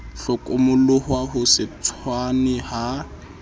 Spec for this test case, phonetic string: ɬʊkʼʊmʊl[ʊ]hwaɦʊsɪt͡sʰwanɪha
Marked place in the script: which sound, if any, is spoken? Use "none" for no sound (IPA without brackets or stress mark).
ʊ